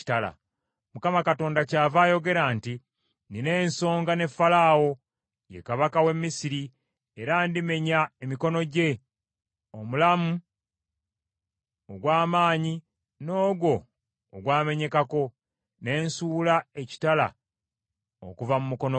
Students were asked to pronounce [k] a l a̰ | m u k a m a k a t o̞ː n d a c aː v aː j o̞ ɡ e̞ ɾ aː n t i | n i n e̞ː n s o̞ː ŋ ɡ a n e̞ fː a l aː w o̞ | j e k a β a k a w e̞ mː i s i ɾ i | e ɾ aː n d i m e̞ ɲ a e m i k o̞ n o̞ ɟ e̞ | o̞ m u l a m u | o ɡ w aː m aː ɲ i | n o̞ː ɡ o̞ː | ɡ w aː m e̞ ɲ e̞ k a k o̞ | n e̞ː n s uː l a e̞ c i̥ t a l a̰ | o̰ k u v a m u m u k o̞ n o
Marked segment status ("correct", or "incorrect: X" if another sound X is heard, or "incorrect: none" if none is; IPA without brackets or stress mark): incorrect: t